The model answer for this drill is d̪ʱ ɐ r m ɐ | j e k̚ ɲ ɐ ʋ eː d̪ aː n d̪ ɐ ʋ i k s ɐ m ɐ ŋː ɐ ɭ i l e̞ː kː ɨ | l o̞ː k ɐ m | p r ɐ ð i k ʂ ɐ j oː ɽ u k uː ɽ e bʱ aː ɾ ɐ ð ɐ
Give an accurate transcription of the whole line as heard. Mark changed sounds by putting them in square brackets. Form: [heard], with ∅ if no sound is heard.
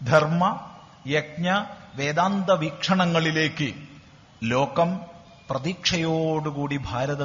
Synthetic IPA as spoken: d̪ʱ ɐ r m ɐ | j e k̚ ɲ ɐ ʋ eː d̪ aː n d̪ ɐ ʋ i k [ʂ] ɐ [ɳ] ɐ ŋː ɐ ɭ i l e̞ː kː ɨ | l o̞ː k ɐ m | p r ɐ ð i k ʂ ɐ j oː ɽ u k uː ɽ [i] bʱ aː ɾ ɐ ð ɐ